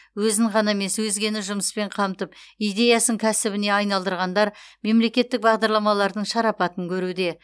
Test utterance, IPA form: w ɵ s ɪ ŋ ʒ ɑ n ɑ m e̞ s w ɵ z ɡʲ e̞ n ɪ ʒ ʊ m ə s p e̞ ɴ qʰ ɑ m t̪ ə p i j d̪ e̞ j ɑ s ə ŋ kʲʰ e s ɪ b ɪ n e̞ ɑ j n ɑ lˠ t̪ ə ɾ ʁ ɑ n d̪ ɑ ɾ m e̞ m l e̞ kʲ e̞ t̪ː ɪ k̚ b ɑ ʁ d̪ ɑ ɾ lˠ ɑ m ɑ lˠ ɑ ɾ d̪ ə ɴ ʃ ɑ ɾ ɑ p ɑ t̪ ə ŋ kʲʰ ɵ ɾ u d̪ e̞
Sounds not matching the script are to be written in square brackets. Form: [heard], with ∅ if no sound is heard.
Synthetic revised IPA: w ɵ [z] ɪ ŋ [ʁ] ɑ n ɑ m e̞ s w ɵ z ɡʲ e̞ n ɪ ʒ ʊ m ə s p e̞ ɴ qʰ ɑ m t̪ ə p i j d̪ e̞ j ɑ s ə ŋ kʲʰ [æ] s ɪ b ɪ n e̞ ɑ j n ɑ lˠ [d̪] ə ɾ ʁ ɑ n d̪ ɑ ɾ m e̞ m l e̞ kʲ e̞ t̪ː ɪ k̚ b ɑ ʁ d̪ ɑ ɾ lˠ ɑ m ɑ lˠ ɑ ɾ d̪ ə ɴ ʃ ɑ ɾ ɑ p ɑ t̪ ə ŋ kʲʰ ɵ ɾ u d̪ e̞

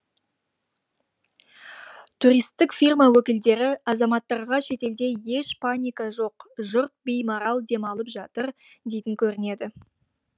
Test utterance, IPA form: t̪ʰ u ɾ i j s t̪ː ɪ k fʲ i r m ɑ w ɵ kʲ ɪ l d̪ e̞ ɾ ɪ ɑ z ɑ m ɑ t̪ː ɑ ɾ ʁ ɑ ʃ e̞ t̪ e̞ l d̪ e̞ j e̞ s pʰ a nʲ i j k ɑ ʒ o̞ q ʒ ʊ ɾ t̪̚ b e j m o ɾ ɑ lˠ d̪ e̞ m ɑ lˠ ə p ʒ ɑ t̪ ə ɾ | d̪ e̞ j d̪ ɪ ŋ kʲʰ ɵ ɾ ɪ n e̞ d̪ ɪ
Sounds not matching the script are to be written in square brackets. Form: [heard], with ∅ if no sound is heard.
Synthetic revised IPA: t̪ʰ u ɾ i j s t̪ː ɪ k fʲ i r m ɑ w ɵ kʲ ɪ l d̪ e̞ ɾ ɪ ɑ z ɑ m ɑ t̪ː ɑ ɾ ʁ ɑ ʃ e̞ t̪ e̞ l d̪ e̞ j e̞ [ʃ] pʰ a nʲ i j k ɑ ʒ o̞ q ʒ ʊ ɾ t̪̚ b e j m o ɾ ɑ lˠ d̪ e̞ m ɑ lˠ ə p ʒ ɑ t̪ ə ɾ | d̪ e̞ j [t̪] ɪ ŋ kʲʰ ɵ ɾ ɪ n e̞ d̪ ɪ

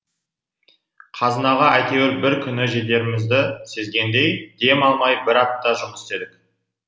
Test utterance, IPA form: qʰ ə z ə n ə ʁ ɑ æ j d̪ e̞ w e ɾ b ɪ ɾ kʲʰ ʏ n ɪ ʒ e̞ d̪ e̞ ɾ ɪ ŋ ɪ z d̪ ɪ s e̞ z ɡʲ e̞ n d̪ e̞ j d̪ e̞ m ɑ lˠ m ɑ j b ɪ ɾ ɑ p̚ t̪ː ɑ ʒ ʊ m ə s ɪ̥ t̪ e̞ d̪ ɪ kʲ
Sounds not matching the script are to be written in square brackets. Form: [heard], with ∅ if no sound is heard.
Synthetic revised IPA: qʰ [ɑ] z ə n [ɑ] ʁ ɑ æ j [t̪] e̞ w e ɾ b ɪ ɾ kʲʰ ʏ n ɪ ʒ e̞ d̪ e̞ ɾ ɪ [m] ɪ z d̪ ɪ s e̞ z ɡʲ e̞ n d̪ e̞ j d̪ e̞ m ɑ lˠ m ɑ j b ɪ ɾ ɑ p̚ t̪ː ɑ ʒ ʊ m ə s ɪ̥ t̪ e̞ d̪ ɪ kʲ

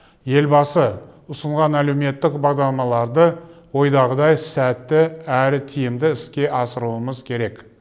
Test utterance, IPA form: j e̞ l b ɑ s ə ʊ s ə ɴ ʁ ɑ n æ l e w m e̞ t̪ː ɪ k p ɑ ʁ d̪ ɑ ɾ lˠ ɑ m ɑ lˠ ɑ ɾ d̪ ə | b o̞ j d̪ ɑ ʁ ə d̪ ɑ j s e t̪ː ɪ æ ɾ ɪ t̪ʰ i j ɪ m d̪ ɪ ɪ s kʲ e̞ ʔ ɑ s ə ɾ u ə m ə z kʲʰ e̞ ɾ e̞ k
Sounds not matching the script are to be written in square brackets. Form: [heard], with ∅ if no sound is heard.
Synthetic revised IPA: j e̞ l b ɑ s ə ʊ s ə ɴ ʁ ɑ n æ l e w m e̞ t̪ː ɪ k [b] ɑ ʁ d̪ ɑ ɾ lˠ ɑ m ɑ lˠ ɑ ɾ d̪ ə | [w] o̞ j d̪ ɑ ʁ ə d̪ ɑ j s [æ] t̪ː ɪ æ ɾ ɪ t̪ʰ i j ɪ m d̪ ɪ ɪ s kʲ e̞ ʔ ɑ s ə ɾ u ə m ə z kʲʰ e̞ ɾ e̞ k

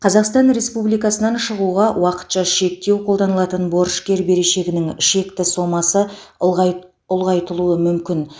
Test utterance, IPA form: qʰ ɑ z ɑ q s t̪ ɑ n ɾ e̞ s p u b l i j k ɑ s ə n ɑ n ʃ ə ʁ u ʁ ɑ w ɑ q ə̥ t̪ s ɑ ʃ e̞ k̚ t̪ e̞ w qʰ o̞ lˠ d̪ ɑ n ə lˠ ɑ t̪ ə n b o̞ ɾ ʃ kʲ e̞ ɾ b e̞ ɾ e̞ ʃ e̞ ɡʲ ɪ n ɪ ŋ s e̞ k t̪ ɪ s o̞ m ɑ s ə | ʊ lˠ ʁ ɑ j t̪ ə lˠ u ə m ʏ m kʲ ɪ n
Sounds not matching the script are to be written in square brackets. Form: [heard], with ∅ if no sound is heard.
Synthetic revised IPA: qʰ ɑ z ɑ q s t̪ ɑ n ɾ e̞ s p u b l i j k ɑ s ə n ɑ n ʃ ə ʁ u ʁ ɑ w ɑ q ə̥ t̪ [ʃ] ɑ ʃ e̞ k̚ t̪ e̞ w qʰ o̞ lˠ d̪ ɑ n ə lˠ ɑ t̪ ə n b o̞ ɾ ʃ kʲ e̞ ɾ b e̞ ɾ e̞ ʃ e̞ ɡʲ ɪ n ɪ ŋ [ʃ] e̞ k t̪ ɪ s o̞ m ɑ s ə | ʊ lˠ ʁ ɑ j t̪ ə lˠ u ə m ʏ m kʲ ɪ n

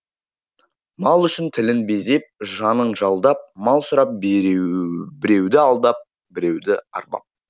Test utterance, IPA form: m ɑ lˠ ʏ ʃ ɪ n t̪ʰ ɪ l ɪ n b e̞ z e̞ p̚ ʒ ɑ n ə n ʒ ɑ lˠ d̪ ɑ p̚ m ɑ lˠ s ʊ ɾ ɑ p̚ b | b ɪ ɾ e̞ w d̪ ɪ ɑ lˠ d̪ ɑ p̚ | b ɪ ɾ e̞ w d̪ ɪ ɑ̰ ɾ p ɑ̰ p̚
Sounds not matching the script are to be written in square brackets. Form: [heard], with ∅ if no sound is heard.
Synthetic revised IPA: m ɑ lˠ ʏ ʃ ɪ n t̪ʰ ɪ l ɪ n b e̞ z e̞ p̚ ʒ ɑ n ə [ɴ] ʒ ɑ lˠ d̪ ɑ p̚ m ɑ lˠ s ʊ ɾ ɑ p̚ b | b ɪ ɾ e̞ w d̪ ɪ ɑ lˠ d̪ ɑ p̚ | b ɪ ɾ e̞ w d̪ ɪ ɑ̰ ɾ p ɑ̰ p̚

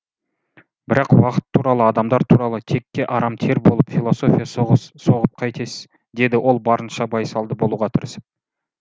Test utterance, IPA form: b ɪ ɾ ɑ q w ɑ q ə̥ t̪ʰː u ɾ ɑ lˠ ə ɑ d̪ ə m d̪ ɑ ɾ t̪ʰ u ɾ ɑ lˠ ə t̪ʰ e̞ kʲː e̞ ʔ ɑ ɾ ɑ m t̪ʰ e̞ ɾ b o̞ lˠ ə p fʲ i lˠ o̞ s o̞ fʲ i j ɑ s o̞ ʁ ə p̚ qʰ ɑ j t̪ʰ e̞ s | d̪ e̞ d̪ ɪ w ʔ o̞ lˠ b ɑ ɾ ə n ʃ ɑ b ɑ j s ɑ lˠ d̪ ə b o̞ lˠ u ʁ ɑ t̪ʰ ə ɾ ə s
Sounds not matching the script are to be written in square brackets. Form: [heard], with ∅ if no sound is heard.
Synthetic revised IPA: b ɪ ɾ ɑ q w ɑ q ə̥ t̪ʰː u ɾ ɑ lˠ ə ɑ d̪ [ɑ] m d̪ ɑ ɾ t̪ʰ u ɾ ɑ lˠ ə t̪ʰ e̞ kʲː e̞ ʔ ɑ ɾ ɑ m t̪ʰ e̞ ɾ b o̞ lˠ ə p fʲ i lˠ o̞ s o̞ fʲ i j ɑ s o̞ ʁ ə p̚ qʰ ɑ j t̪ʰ e̞ s | d̪ e̞ d̪ ɪ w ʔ o̞ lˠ b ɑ ɾ ə n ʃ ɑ b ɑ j s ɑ lˠ d̪ ə b o̞ lˠ u ʁ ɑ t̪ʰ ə ɾ ə s

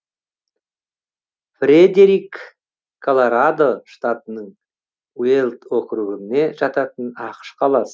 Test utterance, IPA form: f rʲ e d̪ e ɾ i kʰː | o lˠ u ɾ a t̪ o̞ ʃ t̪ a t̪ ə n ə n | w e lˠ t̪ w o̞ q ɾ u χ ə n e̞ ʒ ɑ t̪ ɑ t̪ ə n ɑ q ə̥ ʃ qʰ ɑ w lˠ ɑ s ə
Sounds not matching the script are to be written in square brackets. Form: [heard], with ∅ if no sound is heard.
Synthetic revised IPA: f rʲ e d̪ e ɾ i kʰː | o lˠ [o] ɾ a [d̪] o̞ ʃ t̪ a t̪ ə n ə [ɴ] | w e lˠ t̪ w o̞ q ɾ u [ʁ] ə n e̞ ʒ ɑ t̪ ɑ t̪ ə n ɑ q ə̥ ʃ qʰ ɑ [∅] lˠ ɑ s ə

